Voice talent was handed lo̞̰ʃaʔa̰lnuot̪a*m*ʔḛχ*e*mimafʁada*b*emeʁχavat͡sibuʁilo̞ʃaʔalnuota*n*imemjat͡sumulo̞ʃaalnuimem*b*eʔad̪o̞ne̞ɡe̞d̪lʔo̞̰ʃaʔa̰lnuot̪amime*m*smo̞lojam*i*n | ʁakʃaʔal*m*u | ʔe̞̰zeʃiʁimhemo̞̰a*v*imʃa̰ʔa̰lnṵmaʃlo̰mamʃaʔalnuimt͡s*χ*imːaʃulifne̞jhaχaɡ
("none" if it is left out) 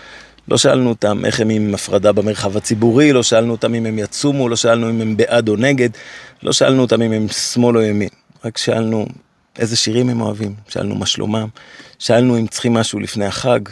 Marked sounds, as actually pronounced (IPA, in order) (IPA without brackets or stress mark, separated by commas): m, e, b, m, b, m, i, n, v, χ